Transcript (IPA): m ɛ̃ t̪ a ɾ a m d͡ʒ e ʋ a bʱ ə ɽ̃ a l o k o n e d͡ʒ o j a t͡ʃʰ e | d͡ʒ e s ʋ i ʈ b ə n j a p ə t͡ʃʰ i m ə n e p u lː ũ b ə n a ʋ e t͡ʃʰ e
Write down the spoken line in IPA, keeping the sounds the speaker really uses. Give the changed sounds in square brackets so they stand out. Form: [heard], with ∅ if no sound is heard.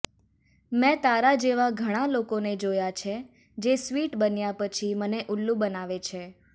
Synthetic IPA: m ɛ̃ t̪ a ɾ a [∅] d͡ʒ e ʋ a [ɡʱ] ə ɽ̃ a l o k o n e d͡ʒ o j a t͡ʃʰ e | d͡ʒ e s ʋ i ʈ b ə n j a p ə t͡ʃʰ i m ə n e [ʔ] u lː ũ b ə n a ʋ e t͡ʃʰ e

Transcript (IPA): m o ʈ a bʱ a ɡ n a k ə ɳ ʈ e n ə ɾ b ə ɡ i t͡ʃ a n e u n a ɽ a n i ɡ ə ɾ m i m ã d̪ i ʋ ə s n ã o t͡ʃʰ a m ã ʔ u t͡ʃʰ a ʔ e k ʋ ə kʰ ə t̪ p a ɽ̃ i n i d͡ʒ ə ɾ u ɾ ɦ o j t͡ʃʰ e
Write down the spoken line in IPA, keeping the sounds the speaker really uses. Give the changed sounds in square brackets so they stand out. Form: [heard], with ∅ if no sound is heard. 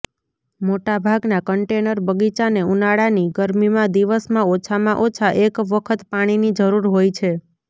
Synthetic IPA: m o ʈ a bʱ a ɡ n a k ə ɳ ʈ e n ə ɾ b ə ɡ i t͡ʃ a n e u n a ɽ a n i ɡ ə ɾ m i m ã d̪ i ʋ ə s [m] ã o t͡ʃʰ a m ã ʔ [o] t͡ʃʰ a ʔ e k ʋ ə kʰ ə t̪ p a ɽ̃ i n i d͡ʒ ə ɾ u ɾ ɦ o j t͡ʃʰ e

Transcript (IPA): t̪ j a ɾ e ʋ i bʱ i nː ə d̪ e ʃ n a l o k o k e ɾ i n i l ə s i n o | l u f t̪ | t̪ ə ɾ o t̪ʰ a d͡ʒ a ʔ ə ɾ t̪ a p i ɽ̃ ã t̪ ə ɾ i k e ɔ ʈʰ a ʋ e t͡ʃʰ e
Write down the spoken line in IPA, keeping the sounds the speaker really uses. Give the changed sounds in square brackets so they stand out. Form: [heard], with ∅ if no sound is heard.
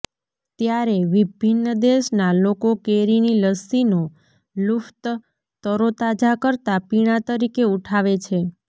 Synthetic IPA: t̪ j a ɾ e ʋ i bʱ i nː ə d̪ e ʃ n a l o k o k e ɾ i n i l ə s i n o | l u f t̪ | t̪ ə ɾ o [t̪] a d͡ʒ a [k] ə ɾ t̪ a p i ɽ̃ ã t̪ ə ɾ i k e [u] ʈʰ a ʋ e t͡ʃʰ e

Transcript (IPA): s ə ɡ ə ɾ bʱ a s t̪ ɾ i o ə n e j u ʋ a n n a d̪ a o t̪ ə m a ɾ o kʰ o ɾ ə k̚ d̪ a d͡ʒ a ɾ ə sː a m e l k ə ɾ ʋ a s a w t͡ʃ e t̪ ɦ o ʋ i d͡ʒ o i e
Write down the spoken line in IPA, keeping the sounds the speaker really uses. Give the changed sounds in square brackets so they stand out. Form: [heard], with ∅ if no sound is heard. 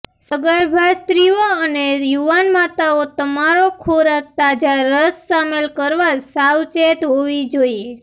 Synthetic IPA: s ə ɡ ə ɾ bʱ a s t̪ ɾ i o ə n e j u ʋ a n [m] a [t̪] a o t̪ ə m a ɾ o kʰ o ɾ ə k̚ [t̪] a d͡ʒ a ɾ ə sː a m e l k ə ɾ ʋ a s a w t͡ʃ e t̪ ɦ o ʋ i d͡ʒ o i e

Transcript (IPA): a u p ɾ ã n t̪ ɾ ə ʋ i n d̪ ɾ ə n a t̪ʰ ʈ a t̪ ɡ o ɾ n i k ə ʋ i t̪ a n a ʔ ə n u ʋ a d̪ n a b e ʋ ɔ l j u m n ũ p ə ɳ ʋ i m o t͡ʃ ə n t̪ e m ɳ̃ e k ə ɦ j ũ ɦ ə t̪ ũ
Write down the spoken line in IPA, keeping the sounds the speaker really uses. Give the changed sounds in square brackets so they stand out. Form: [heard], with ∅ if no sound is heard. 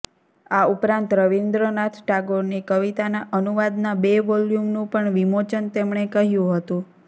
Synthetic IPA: a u p ɾ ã n t̪ ɾ ə ʋ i n d̪ ɾ ə n a t̪ʰ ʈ a [∅] ɡ o ɾ n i k ə ʋ i t̪ a n a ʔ ə n u ʋ a d̪ n a b e ʋ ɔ l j u m n ũ p ə ɳ ʋ i m o t͡ʃ ə n t̪ e m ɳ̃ e k ə ɦ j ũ ɦ ə t̪ ũ

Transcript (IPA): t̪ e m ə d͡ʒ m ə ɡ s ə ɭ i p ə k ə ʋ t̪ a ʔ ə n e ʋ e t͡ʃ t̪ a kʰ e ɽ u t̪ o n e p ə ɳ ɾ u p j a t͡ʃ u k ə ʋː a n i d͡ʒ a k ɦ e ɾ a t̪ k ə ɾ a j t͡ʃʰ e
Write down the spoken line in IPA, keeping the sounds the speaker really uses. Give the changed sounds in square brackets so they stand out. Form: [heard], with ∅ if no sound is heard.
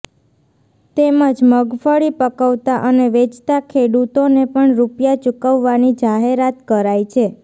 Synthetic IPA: t̪ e m ə d͡ʒ m ə ɡ [f] ə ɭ i p ə k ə ʋ t̪ a ʔ ə n e ʋ e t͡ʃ t̪ a kʰ e ɽ u t̪ o n e p ə ɳ ɾ u p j a t͡ʃ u k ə ʋː a n i d͡ʒ a [∅] ɦ e ɾ a t̪ k ə ɾ a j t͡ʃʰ e

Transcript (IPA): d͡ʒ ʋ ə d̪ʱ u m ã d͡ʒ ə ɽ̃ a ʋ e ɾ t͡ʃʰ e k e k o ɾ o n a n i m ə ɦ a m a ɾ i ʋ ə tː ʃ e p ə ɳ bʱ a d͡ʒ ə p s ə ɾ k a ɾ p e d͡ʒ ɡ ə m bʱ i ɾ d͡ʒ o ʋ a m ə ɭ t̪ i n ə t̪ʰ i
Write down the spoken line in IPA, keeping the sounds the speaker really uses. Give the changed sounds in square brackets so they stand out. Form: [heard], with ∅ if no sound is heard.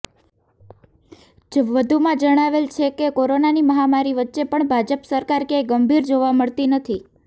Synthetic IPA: d͡ʒ ʋ ə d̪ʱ u m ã d͡ʒ ə ɽ̃ a ʋ e [l] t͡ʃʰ e k e k o ɾ o n a n i m ə ɦ a m a ɾ i ʋ ə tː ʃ e p ə ɳ bʱ a d͡ʒ ə p s ə ɾ k a ɾ [k] e [∅] ɡ ə m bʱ i ɾ d͡ʒ o ʋ a m ə ɭ t̪ i n ə t̪ʰ i

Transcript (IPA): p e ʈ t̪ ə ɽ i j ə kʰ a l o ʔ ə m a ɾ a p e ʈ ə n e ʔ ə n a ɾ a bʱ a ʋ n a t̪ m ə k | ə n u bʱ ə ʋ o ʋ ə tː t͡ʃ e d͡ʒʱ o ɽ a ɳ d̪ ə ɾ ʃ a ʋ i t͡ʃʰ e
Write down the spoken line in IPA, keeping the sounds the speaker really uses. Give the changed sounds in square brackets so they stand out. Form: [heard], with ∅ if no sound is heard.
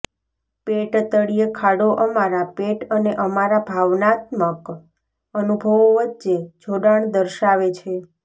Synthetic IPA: p e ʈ t̪ ə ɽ i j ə kʰ a [ɽ] o ʔ ə m a ɾ a p e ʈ ə n e ʔ ə [m] a ɾ a bʱ a ʋ n a t̪ m ə k | ə n u bʱ ə ʋ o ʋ ə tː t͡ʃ e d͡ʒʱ o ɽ a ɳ d̪ ə ɾ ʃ a ʋ [e] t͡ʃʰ e

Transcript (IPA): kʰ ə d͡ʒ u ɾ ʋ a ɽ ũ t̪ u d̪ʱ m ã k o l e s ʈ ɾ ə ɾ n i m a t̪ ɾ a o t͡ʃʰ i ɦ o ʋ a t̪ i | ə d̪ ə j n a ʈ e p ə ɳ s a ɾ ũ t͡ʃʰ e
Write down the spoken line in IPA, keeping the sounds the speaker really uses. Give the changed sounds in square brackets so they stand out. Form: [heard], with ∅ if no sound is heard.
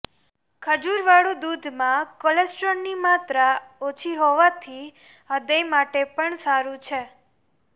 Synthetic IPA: kʰ ə d͡ʒ u ɾ ʋ a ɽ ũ [d̪] u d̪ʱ m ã k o l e s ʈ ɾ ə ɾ n i m a t̪ ɾ a o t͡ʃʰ i ɦ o ʋ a [t̪ʰ] i | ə d̪ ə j [m] a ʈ e p ə ɳ s a ɾ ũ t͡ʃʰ e

